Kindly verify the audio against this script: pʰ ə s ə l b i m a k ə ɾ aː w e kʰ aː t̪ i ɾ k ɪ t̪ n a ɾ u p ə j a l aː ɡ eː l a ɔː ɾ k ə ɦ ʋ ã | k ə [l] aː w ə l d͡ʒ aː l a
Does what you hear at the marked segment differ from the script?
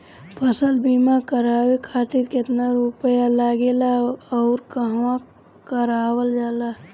yes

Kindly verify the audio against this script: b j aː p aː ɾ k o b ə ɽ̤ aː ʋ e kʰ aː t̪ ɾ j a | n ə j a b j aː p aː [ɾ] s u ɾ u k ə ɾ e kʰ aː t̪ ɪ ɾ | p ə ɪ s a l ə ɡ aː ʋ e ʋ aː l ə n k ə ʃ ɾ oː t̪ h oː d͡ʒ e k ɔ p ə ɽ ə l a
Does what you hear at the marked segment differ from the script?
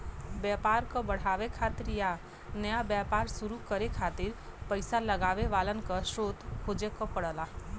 no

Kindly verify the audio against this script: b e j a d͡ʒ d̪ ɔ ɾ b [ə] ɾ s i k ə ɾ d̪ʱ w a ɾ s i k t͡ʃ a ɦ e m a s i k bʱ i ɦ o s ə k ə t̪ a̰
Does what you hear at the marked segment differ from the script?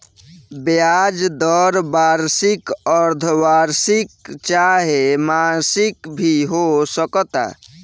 yes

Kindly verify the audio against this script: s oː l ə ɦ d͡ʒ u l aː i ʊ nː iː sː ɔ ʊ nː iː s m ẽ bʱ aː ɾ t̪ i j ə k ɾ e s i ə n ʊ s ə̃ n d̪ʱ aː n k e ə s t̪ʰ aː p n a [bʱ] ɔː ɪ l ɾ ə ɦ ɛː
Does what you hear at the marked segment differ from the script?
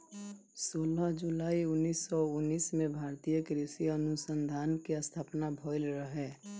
no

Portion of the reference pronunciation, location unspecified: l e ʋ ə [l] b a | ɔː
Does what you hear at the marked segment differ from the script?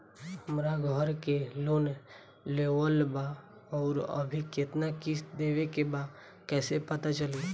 no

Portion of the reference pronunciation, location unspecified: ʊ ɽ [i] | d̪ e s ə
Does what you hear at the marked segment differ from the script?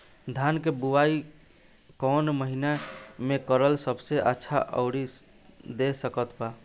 no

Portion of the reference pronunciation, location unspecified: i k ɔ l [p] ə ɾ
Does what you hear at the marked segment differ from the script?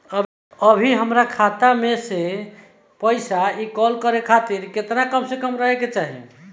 yes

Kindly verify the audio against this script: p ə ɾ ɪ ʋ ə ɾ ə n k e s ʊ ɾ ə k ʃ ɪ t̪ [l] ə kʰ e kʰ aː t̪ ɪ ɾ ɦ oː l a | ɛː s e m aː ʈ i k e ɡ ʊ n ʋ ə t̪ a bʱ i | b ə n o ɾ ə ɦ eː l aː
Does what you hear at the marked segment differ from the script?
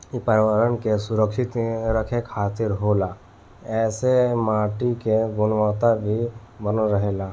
yes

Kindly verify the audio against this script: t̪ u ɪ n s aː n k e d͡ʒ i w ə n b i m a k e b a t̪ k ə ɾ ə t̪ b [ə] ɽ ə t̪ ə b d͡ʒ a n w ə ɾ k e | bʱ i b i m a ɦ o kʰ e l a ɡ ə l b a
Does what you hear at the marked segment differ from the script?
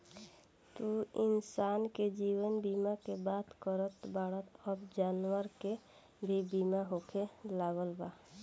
yes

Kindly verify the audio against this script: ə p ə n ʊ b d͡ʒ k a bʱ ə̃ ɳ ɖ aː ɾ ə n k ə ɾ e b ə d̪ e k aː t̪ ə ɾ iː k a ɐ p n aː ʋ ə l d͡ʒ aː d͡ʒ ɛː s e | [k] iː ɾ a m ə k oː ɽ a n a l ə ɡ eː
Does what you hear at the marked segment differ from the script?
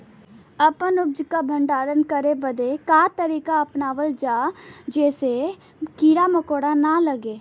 no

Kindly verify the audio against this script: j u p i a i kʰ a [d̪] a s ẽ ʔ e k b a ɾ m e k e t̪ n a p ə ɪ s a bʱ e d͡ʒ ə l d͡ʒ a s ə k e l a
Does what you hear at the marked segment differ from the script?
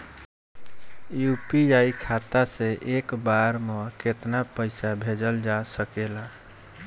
yes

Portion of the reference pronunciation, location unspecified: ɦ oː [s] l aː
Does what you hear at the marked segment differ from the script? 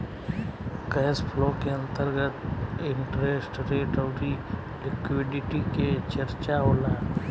yes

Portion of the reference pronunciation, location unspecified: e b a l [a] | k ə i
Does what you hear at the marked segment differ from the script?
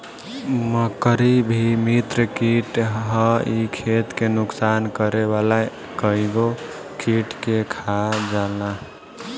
no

